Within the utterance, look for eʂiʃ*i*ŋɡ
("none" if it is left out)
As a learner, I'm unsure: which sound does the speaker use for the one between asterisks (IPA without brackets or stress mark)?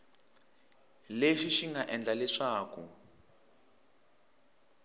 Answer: i